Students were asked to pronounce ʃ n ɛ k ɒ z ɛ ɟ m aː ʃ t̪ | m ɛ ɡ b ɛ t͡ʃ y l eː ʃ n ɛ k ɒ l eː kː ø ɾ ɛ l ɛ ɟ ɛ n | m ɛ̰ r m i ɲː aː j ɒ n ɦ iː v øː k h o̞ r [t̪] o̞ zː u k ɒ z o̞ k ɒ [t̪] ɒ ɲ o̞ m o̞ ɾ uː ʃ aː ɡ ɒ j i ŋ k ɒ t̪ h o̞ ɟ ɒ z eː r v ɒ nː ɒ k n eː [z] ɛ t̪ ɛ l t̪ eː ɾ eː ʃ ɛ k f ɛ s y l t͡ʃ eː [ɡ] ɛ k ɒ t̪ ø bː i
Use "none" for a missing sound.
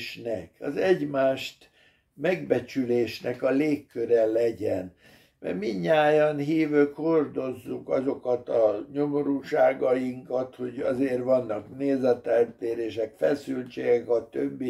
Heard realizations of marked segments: d̪, t̪, z, ɡ

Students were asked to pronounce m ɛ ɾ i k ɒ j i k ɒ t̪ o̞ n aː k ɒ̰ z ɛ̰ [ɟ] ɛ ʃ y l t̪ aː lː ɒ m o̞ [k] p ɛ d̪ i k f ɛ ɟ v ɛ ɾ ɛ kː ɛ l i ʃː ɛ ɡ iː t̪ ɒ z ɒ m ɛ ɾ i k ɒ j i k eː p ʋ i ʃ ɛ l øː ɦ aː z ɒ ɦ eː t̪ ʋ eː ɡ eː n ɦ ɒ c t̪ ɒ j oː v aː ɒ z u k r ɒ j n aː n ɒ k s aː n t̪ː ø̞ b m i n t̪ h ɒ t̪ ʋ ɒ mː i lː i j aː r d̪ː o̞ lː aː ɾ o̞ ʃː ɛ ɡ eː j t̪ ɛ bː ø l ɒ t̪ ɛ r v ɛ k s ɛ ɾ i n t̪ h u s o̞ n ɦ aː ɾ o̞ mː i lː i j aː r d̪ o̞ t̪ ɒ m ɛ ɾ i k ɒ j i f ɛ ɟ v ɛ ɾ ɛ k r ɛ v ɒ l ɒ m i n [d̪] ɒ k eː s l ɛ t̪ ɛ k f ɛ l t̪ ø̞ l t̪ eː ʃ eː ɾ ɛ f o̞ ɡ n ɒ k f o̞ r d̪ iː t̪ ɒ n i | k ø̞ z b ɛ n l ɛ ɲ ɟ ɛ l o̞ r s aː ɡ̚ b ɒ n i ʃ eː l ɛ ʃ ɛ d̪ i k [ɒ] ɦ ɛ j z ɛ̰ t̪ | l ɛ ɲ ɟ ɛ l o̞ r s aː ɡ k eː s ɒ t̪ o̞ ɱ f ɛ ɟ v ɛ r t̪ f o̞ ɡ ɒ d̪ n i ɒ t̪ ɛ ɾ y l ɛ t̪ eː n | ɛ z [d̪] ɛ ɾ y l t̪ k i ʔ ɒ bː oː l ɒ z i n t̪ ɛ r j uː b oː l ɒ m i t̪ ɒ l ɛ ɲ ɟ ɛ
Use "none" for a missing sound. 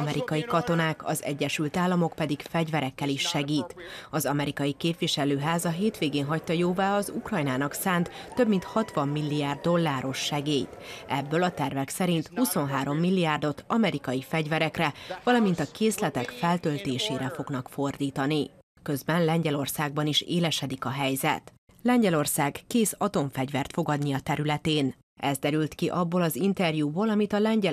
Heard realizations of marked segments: ɟː, k, t̪, ɒ, d̪

